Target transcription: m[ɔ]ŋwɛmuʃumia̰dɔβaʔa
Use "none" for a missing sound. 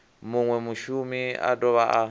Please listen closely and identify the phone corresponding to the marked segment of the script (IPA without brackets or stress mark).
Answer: u